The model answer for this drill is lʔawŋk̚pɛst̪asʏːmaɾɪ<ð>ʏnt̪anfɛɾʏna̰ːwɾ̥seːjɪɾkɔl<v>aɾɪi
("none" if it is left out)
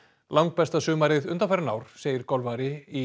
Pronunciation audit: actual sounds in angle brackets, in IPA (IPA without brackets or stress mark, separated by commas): ð, v